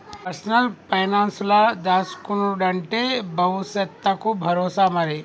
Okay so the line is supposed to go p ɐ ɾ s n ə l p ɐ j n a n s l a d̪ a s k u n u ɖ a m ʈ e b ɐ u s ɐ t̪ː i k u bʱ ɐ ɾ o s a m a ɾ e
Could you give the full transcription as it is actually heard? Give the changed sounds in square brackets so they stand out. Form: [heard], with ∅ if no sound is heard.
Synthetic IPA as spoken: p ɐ ɾ s n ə l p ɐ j n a n s l a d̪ a s k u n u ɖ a [ɳ] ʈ e b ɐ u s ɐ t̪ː [a] k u bʱ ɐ ɾ o s a m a ɾ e